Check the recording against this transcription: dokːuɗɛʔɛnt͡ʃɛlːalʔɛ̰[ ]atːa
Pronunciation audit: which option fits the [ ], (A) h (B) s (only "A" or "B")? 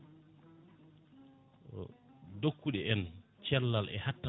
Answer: A